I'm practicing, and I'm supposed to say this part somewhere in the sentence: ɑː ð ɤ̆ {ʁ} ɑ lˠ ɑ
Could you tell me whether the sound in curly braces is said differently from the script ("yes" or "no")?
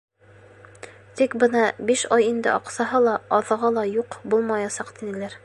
no